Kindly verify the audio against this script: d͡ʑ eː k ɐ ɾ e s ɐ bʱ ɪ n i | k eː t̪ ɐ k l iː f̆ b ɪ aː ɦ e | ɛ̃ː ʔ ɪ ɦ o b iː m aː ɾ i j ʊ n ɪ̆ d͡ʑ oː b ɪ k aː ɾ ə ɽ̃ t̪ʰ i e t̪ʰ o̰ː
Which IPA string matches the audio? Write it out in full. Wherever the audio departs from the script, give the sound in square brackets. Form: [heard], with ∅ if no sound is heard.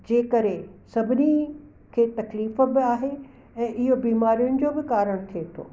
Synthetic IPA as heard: d͡ʑ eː k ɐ ɾ e s ɐ bʱ ɪ n i | [kʰ] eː t̪ ɐ k l iː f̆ b ɪ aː ɦ e | ɛ̃ː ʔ ɪ ɦ o b iː m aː ɾ i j ʊ n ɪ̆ d͡ʑ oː b ɪ k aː ɾ ə ɽ̃ t̪ʰ i e t̪ʰ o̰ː